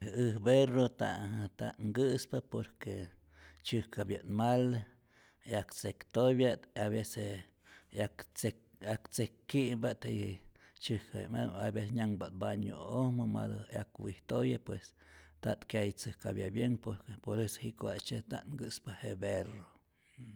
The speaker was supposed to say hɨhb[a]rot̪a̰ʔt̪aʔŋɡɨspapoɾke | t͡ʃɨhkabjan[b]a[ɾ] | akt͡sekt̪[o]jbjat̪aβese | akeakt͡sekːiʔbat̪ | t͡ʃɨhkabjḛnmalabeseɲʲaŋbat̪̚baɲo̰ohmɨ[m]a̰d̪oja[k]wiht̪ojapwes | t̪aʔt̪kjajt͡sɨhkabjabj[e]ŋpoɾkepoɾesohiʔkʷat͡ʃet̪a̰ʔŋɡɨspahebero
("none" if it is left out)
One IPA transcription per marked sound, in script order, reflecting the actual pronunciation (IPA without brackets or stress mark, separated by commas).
e, m, l, o, m, k, e